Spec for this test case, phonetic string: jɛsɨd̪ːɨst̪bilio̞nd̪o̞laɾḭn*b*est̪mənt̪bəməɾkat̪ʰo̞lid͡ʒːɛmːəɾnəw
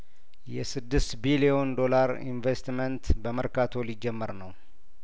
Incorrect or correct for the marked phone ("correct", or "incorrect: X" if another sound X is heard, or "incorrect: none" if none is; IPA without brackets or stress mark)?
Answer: incorrect: v